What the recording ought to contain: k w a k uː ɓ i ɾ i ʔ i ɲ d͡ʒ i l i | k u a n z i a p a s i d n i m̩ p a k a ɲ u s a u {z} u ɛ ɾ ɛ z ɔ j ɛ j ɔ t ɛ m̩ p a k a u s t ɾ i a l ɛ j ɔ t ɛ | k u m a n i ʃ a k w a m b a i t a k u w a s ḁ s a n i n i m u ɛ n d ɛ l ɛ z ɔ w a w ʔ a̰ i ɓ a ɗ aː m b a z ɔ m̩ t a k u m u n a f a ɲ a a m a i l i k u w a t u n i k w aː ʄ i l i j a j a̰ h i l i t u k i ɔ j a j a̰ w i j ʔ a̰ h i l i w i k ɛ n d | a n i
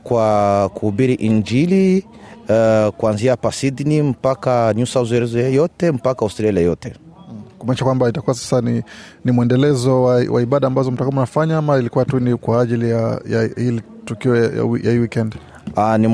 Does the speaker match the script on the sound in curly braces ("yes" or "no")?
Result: yes